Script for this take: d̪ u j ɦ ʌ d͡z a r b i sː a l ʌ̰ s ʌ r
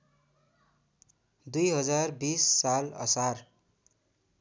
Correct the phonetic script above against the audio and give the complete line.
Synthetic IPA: d̪ u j ɦ ʌ d͡z a r b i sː a l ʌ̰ s a r